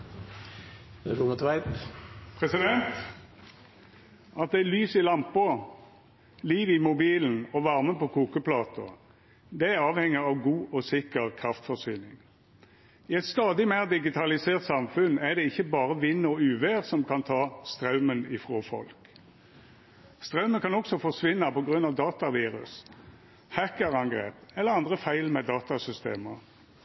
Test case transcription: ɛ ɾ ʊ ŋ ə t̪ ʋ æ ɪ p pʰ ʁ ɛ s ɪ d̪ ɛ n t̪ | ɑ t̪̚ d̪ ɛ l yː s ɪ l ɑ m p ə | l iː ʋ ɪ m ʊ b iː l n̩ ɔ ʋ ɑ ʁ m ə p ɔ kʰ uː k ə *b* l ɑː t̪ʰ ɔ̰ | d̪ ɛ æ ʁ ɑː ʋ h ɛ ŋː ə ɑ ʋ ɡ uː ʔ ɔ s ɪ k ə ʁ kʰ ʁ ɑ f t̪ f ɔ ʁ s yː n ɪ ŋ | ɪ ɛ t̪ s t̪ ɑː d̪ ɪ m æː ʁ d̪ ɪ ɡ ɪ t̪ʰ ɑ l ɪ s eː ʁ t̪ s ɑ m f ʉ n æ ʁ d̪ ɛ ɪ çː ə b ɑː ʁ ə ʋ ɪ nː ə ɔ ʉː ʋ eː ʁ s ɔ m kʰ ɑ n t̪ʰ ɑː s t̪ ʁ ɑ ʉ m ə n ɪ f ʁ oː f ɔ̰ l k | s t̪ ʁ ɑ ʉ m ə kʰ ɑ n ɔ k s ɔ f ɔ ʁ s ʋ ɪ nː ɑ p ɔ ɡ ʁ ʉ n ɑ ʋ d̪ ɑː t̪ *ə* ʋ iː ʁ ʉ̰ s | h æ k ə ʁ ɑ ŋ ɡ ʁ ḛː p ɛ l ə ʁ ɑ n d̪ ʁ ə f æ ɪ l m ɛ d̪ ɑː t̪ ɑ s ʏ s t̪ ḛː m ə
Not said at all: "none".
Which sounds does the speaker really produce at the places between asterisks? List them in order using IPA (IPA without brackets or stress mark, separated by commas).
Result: p, ɑ